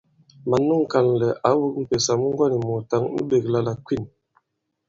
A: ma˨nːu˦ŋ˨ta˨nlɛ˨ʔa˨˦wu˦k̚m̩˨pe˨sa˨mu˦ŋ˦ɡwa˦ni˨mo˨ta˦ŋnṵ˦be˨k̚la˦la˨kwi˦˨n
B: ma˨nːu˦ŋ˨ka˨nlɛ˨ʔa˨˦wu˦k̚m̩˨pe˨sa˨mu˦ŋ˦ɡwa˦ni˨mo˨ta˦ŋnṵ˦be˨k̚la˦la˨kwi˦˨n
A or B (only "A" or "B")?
B